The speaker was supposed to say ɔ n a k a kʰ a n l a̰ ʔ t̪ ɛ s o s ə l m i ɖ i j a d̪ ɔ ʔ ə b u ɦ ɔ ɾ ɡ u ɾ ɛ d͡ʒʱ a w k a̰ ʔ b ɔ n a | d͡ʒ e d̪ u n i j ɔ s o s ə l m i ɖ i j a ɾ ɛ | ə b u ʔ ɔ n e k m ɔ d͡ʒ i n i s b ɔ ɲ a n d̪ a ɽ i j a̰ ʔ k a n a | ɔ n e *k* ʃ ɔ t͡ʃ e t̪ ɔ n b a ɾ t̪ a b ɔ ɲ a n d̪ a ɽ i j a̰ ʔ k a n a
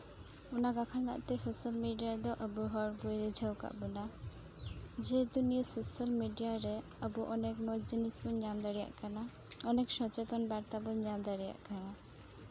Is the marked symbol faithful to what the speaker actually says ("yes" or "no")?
yes